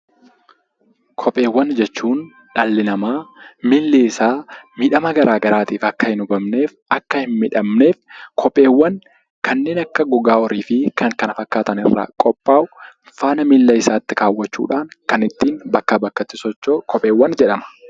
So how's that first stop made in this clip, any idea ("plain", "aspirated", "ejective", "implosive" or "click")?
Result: aspirated